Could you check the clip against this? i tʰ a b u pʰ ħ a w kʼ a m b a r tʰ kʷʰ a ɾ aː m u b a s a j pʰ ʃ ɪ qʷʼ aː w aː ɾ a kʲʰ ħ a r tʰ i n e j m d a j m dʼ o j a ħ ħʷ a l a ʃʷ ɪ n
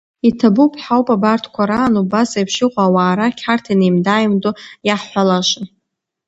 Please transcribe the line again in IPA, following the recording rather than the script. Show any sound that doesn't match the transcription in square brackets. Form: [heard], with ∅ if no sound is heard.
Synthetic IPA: i tʰ a b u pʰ ħ a w [pʼ] a [∅] b a r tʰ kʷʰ a ɾ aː [n] u b a s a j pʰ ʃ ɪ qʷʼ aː w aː ɾ a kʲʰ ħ a r tʰ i n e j m d a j m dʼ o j a ħ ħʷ a l a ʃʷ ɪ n